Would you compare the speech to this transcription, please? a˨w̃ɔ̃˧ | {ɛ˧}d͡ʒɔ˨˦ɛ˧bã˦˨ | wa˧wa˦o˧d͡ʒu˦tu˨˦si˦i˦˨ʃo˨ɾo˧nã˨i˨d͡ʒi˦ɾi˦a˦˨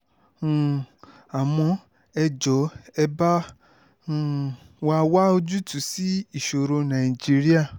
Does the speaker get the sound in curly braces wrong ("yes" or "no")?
no